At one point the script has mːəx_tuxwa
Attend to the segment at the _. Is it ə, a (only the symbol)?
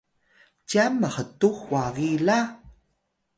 ə